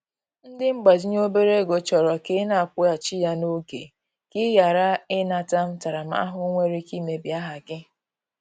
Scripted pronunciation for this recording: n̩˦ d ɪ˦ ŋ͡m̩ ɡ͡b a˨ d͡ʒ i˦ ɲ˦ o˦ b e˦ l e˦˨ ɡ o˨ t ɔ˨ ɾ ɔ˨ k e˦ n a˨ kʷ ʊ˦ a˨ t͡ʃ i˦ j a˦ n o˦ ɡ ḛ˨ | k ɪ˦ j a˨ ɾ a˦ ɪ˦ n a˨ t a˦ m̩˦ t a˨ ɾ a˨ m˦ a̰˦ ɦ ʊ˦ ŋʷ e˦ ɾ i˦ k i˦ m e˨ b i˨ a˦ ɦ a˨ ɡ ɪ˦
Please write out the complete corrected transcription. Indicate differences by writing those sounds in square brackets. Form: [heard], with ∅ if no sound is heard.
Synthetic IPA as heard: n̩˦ d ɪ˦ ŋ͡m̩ ɡ͡b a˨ d͡ʒ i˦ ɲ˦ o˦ b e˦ [ɾ] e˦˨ ɡ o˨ [t͡ʃ] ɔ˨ ɾ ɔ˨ k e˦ n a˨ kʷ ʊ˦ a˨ t͡ʃ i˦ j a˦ n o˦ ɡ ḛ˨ | k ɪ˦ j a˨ ɾ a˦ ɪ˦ n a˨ t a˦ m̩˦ t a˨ ɾ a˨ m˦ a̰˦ ɦ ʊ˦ ŋʷ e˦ ɾ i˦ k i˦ m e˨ b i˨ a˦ ɦ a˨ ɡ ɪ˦